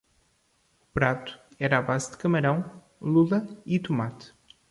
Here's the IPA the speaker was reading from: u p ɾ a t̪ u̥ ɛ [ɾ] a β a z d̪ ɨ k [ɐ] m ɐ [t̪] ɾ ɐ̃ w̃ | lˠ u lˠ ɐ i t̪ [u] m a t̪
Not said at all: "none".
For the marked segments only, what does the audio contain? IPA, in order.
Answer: ɾ, ɐ, none, u

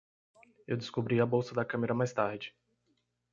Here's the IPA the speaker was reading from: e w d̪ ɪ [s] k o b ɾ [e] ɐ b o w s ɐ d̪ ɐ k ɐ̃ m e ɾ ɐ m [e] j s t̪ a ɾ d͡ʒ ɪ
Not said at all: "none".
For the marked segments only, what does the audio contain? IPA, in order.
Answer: s, i, a

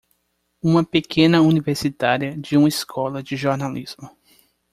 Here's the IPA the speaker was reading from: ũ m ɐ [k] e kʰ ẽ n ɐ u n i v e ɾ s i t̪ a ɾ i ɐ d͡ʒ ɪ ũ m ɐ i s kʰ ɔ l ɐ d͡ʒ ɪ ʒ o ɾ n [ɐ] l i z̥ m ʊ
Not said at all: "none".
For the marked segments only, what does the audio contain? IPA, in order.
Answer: p, a

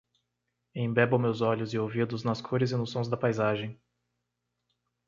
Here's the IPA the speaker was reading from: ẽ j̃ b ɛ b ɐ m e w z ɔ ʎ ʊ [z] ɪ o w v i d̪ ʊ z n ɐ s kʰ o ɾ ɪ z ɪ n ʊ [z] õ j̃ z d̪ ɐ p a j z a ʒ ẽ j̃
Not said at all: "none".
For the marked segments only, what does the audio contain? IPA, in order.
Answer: z, s

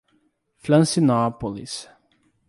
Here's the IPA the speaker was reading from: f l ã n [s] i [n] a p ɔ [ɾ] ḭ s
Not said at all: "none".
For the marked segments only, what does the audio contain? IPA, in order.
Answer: s, n, l

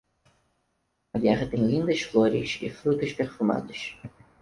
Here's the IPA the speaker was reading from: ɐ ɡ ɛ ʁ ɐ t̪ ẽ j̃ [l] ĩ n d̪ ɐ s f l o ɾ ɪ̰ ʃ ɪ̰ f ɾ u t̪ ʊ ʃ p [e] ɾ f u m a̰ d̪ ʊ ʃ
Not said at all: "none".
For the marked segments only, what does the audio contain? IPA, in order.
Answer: l, e

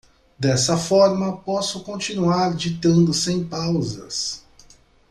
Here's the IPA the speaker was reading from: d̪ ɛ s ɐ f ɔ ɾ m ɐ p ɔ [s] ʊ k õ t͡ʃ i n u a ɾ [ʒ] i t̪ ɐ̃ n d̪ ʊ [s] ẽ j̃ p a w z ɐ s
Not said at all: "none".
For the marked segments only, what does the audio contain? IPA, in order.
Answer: s, d͡ʒ, s

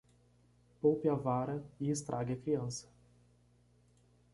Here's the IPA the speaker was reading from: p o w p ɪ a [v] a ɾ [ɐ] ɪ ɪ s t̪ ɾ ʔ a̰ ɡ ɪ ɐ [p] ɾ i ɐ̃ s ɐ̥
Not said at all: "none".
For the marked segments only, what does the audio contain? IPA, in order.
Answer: v, ɐ, k

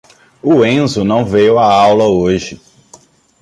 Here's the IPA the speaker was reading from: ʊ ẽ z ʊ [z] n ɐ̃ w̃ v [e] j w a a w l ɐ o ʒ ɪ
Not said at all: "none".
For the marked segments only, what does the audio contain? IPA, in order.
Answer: none, e

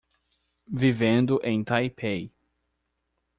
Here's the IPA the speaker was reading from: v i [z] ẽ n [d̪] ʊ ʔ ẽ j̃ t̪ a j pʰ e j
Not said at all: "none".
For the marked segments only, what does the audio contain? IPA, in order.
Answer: v, d̪

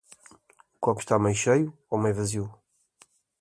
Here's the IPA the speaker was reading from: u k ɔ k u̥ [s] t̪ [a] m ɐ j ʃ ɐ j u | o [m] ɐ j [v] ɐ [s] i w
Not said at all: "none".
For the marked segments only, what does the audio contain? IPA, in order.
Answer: ʃ, a, m, v, z

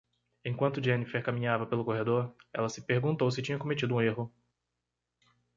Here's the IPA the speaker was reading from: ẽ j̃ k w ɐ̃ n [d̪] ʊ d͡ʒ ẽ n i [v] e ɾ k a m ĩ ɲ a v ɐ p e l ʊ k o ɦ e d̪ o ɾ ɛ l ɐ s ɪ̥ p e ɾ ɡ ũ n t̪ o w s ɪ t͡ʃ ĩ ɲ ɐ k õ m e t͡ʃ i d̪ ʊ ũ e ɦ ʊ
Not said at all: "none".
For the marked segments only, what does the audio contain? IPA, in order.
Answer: t̪, f

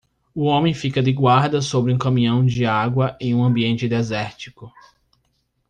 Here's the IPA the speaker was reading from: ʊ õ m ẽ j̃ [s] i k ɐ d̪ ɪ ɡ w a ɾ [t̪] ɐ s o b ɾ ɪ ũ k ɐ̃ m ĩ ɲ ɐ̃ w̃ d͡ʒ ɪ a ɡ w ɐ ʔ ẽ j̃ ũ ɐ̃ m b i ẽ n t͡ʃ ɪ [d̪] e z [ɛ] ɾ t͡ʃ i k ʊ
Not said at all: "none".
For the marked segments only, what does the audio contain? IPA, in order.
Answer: f, d̪, d̪, ɛ

